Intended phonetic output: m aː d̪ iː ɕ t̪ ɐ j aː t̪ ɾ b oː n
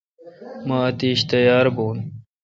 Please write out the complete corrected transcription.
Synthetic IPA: m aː t̪ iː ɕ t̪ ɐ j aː ɾ b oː n